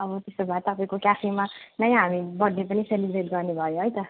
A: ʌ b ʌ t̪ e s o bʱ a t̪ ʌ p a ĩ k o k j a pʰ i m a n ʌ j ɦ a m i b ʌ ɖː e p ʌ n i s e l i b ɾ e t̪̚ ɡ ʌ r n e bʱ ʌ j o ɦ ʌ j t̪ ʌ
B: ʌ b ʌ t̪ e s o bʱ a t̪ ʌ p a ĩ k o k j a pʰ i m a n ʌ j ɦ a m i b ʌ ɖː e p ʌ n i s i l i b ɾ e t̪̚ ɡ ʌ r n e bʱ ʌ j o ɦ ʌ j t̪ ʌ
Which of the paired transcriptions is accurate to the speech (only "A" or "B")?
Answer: A